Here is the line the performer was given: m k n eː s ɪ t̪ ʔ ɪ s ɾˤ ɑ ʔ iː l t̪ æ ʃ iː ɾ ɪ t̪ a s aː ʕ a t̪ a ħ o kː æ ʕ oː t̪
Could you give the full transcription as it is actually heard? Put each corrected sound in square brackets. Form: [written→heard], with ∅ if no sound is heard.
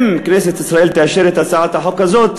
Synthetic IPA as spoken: m k n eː s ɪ t̪ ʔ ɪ s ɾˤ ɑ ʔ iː l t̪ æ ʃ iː ɾ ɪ t̪ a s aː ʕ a t̪ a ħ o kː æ [ʕ→z] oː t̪